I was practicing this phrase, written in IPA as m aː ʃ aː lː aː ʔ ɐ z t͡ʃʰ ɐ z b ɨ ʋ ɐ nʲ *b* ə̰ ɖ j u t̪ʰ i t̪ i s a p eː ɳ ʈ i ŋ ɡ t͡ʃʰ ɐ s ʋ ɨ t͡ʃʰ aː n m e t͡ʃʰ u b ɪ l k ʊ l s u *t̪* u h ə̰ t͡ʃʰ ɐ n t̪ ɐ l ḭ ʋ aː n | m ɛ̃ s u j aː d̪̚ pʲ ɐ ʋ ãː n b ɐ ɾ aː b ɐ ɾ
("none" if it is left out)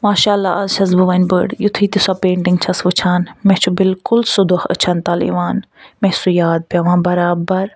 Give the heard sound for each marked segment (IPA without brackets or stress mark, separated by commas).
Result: b, d̪